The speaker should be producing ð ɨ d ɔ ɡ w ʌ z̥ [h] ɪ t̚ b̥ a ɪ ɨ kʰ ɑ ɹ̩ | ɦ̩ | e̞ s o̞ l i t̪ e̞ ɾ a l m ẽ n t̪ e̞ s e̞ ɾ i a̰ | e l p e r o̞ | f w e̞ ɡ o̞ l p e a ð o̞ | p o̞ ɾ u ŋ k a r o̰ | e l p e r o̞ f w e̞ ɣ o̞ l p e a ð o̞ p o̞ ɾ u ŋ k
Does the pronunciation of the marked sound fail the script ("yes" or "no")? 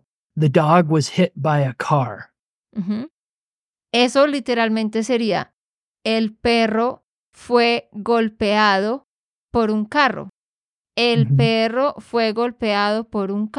no